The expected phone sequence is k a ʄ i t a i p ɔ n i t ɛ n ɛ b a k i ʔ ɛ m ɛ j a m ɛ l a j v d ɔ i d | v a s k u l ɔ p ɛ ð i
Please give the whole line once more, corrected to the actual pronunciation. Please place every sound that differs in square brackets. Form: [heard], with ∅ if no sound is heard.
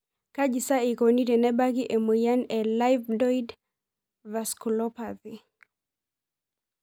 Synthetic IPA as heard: k a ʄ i [s] a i [k] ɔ n i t ɛ n ɛ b a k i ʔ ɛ m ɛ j a [n] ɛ l a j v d ɔ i d | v a s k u l ɔ p [a] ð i